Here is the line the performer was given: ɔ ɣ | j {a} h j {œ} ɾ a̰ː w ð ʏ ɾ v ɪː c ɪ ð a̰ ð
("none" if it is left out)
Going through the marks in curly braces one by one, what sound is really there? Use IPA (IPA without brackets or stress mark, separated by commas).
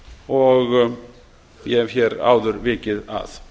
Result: ɛ, ɛ